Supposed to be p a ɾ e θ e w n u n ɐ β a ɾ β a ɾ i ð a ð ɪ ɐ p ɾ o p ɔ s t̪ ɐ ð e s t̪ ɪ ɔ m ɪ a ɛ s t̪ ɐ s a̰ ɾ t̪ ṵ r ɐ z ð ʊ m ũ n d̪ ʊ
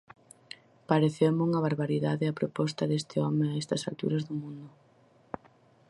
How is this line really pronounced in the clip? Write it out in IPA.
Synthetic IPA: p a ɾ e θ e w m u ŋ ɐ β a ɾ β a ɾ i ð a ð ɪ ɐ p ɾ o p ɔ s t̪ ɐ ð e s t̪ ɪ ɔ m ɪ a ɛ s t̪ ɐ s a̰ l t̪ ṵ ɾ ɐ z ð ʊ m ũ n d̪ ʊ

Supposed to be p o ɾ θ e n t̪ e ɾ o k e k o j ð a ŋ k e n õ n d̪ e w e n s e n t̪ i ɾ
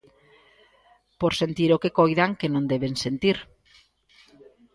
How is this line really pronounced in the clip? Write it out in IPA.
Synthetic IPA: p o ɾ s e n t̪ i ɾ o k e k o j ð a ŋ k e n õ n d̪ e β e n s e n t̪ i ɾ

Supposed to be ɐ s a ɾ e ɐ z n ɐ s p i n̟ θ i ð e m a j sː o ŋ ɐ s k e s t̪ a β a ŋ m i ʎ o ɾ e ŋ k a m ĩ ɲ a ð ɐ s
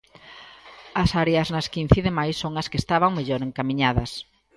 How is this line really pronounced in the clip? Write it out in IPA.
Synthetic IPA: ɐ s a ɾ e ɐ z n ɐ s k i n̟ θ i ð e m a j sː o ŋ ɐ s k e s t̪ a β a ŋ m e ʎ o ɾ e ŋ k a m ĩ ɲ a ð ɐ s

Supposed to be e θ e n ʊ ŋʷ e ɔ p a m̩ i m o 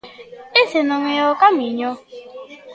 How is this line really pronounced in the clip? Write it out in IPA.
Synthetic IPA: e s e n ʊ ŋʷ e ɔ k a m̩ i ɲ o

